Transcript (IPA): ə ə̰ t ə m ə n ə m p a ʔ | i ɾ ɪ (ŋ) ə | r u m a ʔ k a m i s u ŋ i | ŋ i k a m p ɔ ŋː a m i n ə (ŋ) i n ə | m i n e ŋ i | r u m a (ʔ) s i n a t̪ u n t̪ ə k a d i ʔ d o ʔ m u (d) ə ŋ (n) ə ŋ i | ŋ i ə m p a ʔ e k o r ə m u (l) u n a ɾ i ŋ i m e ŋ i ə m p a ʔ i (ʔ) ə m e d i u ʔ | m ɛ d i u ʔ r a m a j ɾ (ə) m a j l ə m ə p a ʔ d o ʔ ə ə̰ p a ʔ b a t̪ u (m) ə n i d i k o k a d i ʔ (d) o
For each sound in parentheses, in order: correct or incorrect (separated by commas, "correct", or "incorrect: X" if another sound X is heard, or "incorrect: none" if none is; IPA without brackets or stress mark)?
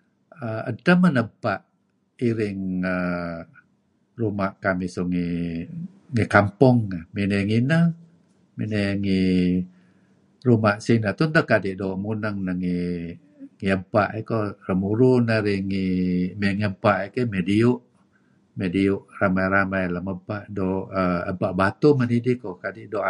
correct, correct, correct, incorrect: n, correct, incorrect: ɾ, incorrect: k, incorrect: a, correct, correct